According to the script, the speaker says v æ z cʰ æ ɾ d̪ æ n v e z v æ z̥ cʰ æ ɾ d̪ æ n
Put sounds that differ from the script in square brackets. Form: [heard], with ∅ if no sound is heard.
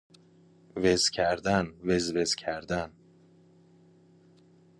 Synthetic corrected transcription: v [e] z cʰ æ ɾ d̪ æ n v e z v [e] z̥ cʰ æ ɾ d̪ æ n